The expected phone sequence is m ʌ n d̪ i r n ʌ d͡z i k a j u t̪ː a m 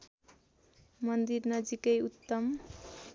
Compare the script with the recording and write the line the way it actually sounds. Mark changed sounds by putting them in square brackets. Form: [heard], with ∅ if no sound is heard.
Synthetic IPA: m ʌ n d̪ i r n ʌ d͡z i k [ʌ] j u t̪ː [ʌ] m